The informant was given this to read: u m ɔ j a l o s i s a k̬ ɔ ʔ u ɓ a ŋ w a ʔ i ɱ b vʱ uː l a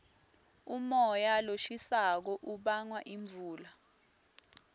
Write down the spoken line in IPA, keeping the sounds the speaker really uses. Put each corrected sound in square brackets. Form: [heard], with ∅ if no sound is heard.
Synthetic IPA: u m ɔ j a l o [ʃ] i s a k̬ ɔ ʔ u ɓ a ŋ w a ʔ i ɱ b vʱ uː l a